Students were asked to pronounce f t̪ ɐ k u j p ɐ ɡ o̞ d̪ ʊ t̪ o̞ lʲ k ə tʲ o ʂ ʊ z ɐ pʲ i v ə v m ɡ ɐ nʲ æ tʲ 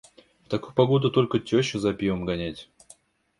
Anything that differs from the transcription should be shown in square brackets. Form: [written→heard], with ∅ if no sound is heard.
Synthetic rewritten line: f t̪ ɐ k u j p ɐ ɡ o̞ d̪ ʊ t̪ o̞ lʲ k ə tʲ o [ʂ→ɕ] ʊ z ɐ pʲ i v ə [v→∅] m ɡ ɐ nʲ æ tʲ